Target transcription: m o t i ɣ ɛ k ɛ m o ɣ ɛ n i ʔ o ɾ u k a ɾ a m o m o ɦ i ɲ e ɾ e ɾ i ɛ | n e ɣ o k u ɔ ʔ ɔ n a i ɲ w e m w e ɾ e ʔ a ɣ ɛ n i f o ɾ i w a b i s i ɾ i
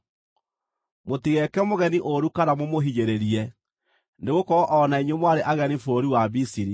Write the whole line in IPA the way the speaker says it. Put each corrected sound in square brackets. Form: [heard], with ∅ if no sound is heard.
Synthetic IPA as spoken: m o t i ɣ ɛ k ɛ m o ɣ ɛ n i ʔ o ɾ u k a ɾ a m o m o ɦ i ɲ e ɾ e ɾ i ɛ | n e ɣ o k [ɔ] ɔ ʔ ɔ n a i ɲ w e m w [a] ɾ e ʔ a ɣ ɛ n i f o ɾ i w a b i s i ɾ i